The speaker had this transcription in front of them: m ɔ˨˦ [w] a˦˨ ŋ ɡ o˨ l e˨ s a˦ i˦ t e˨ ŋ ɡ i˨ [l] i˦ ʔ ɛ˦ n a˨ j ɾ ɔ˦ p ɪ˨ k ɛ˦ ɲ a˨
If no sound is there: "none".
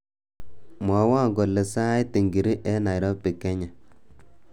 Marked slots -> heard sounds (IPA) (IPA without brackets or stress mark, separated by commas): w, ɾ